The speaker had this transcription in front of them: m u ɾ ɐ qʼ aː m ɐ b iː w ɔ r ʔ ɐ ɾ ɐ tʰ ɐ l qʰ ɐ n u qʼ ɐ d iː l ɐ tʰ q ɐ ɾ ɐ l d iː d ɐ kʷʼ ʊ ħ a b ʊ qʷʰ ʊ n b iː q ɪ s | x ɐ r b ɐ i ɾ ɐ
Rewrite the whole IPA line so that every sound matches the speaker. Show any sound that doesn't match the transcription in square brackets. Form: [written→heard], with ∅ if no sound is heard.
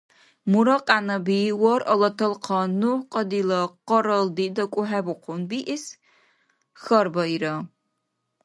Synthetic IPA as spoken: m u ɾ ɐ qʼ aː [m→n] ɐ b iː w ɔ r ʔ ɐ [ɾ→l] ɐ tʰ ɐ l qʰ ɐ n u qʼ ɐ d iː l ɐ [tʰ→∅] q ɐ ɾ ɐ l d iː d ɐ kʷʼ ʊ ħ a b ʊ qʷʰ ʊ n b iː [q→ʔ] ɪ s | x ɐ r b ɐ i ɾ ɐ